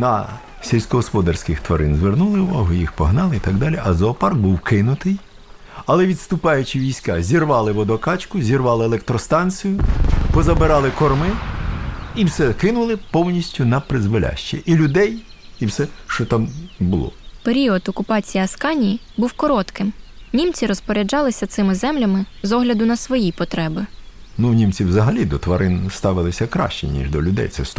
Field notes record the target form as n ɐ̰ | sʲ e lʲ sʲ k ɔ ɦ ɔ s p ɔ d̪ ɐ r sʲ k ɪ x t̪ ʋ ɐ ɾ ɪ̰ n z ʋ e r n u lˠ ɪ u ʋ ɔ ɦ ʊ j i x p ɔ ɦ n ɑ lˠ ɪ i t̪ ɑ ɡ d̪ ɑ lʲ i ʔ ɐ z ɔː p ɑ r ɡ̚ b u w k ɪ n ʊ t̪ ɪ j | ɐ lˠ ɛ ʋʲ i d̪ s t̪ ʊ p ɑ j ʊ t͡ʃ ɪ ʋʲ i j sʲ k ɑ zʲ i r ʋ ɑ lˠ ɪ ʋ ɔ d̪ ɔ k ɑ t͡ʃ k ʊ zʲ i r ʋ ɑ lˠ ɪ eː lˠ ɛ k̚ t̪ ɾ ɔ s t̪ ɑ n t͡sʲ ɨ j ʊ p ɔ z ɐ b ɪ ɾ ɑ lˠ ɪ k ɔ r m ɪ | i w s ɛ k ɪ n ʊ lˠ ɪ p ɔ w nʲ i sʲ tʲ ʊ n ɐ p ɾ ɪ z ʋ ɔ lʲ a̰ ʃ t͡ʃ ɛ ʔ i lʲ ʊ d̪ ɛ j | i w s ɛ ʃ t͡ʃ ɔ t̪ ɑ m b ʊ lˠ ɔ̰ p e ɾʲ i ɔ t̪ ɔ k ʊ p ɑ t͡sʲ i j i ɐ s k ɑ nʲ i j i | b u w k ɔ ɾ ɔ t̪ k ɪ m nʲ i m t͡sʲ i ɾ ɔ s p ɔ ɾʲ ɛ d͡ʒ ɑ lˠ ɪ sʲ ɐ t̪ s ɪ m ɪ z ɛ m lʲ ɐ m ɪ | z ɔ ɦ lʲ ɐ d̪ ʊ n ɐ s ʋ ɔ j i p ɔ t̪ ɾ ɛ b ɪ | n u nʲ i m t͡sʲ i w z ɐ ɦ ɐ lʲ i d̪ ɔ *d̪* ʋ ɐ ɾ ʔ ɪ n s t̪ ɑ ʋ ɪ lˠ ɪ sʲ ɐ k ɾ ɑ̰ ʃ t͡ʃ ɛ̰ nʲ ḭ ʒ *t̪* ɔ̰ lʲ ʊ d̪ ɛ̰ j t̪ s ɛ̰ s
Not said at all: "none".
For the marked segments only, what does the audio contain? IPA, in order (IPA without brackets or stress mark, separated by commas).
t̪, d̪